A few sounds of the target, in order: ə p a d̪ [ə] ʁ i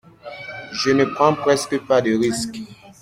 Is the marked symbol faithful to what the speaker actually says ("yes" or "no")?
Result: yes